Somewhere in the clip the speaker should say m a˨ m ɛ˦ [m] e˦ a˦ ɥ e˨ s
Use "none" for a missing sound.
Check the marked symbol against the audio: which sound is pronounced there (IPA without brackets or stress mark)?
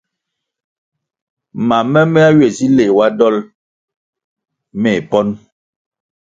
m